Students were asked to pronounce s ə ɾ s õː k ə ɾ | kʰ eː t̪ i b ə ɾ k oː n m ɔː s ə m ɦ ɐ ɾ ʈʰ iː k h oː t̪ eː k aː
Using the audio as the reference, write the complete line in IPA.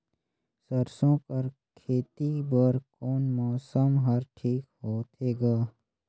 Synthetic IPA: s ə ɾ s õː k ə ɾ | kʰ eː t̪ i b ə ɾ k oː n m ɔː s ə m ɦ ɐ ɾ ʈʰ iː k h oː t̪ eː ɡ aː